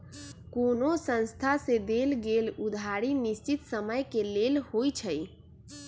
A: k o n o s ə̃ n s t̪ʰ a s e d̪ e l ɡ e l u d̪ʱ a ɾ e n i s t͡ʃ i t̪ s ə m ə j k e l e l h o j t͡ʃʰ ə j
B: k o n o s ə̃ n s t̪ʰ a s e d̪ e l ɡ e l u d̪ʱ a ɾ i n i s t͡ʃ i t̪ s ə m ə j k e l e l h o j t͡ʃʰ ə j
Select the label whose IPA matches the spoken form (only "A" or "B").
B